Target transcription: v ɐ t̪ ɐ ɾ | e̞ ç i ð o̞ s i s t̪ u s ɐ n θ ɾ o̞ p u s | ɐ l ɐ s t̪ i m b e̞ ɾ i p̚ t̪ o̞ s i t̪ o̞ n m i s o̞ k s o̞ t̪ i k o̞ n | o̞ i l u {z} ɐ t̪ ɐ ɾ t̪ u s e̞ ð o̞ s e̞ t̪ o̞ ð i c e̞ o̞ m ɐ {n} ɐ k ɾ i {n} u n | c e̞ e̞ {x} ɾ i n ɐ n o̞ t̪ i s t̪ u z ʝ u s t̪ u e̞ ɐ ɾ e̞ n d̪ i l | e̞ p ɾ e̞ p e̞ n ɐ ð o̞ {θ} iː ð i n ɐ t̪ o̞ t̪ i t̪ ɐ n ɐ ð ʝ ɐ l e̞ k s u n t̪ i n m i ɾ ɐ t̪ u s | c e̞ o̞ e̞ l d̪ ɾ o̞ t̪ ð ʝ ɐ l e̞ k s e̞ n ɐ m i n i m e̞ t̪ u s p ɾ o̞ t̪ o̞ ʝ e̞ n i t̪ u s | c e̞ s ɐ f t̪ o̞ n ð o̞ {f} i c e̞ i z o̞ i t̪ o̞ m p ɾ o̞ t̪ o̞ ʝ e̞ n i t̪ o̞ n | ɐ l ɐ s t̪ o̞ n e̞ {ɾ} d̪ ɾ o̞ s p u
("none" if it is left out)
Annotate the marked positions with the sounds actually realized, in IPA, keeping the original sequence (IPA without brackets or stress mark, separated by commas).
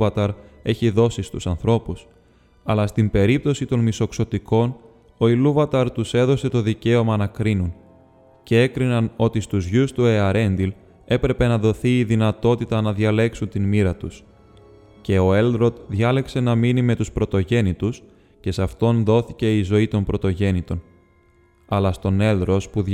v, n, n, k, θ, θ, l